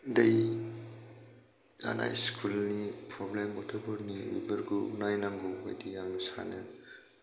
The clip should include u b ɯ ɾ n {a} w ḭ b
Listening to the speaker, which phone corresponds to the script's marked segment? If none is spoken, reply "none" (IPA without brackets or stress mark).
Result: i